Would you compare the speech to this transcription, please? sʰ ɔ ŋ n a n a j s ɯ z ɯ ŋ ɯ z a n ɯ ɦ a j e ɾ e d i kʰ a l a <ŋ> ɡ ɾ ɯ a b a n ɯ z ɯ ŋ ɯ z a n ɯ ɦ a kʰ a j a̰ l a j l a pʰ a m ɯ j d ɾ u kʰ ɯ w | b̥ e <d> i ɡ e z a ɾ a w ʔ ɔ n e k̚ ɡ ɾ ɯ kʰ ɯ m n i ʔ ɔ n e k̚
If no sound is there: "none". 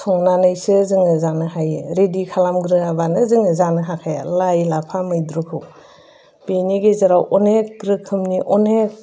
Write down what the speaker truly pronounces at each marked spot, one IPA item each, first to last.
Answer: m, n

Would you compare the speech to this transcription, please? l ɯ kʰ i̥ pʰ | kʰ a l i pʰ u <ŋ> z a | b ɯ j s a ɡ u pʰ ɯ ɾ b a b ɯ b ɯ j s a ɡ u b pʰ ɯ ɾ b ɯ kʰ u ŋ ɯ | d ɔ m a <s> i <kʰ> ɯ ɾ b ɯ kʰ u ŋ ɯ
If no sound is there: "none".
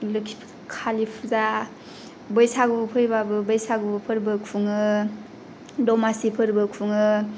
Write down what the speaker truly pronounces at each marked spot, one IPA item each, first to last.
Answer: none, s, pʰ

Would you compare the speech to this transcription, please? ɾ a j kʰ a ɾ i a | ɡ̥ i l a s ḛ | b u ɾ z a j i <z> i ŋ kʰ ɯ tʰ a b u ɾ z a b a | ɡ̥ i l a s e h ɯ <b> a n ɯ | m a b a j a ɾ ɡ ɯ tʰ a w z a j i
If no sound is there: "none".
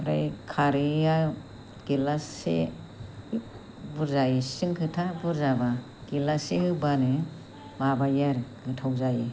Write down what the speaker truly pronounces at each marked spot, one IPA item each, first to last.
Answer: s, b

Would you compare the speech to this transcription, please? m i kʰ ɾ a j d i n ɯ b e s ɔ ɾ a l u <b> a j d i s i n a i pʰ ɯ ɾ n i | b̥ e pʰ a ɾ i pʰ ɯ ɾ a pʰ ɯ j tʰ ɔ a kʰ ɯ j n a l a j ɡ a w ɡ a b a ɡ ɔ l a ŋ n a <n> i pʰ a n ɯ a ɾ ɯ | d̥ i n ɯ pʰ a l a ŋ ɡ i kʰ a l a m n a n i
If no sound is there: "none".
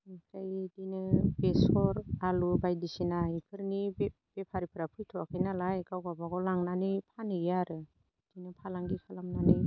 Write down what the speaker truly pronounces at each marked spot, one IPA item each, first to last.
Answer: b, n

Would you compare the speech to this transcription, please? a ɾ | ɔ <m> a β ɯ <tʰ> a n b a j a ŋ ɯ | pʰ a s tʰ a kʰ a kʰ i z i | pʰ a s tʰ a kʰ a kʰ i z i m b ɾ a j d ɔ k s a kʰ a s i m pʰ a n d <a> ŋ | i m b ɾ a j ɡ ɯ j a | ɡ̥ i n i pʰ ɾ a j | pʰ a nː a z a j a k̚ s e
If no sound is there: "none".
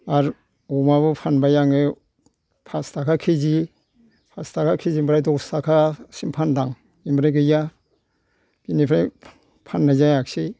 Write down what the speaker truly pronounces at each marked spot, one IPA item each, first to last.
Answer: m, pʰ, a

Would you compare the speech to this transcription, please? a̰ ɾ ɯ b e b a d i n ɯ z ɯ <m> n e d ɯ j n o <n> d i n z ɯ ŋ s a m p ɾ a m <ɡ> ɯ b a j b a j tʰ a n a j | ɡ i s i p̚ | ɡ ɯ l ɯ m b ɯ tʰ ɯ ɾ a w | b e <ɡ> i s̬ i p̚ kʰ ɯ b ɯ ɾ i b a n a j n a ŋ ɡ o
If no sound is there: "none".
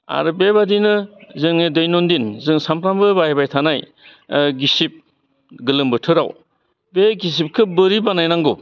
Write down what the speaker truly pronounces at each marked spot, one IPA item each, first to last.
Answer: ŋ, n, b, ɡ

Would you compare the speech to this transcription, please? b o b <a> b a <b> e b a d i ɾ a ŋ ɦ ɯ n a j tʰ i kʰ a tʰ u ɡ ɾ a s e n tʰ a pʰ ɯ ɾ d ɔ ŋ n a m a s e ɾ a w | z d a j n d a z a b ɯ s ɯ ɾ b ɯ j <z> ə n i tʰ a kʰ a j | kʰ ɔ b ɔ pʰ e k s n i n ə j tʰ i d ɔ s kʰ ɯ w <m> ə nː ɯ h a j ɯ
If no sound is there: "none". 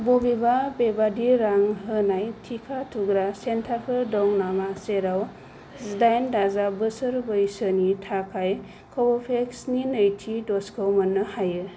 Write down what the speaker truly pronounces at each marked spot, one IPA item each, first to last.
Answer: i, b, s, m

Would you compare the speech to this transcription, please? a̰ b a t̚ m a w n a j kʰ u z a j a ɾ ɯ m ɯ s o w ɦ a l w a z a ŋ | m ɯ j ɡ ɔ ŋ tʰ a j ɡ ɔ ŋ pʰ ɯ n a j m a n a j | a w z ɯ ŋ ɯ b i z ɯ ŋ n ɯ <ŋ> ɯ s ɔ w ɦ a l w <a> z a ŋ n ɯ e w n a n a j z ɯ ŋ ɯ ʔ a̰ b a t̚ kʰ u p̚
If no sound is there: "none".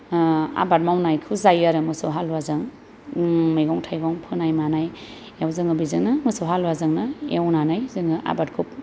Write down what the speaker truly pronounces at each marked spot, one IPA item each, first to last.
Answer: m, a

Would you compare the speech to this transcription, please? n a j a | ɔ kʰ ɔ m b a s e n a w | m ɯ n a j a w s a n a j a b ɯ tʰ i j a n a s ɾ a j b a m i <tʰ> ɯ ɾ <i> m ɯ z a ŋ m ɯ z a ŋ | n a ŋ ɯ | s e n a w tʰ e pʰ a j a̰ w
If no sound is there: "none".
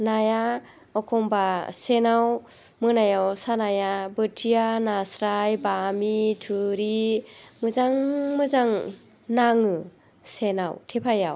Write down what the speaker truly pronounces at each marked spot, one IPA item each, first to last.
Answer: tʰ, i

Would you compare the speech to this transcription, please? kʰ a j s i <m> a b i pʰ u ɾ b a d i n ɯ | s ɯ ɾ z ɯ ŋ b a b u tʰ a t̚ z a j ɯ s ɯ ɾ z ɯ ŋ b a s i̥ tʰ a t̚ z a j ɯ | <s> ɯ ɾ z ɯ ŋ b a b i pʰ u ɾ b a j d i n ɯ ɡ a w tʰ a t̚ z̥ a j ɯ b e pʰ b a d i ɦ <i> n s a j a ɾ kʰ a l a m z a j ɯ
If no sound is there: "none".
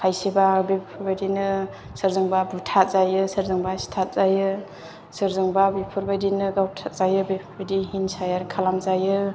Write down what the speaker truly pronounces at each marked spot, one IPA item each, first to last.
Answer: b, s, i

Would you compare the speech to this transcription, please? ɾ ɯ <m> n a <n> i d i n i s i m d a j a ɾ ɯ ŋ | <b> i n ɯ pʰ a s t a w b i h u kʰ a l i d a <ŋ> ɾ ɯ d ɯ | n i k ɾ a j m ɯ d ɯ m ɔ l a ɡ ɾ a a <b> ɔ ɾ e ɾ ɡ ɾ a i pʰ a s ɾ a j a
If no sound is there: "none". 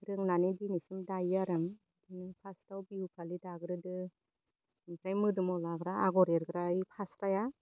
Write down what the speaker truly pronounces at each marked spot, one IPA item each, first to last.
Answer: ŋ, n, d, ɡ, ɡ

